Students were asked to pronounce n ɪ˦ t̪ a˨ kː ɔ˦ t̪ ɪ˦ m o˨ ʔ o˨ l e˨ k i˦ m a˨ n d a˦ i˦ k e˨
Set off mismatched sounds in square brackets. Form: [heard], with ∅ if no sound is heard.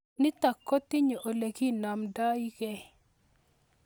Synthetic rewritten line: n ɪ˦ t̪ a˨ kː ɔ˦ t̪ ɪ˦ [ɲ] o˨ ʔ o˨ l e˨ k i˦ [n] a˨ [m] d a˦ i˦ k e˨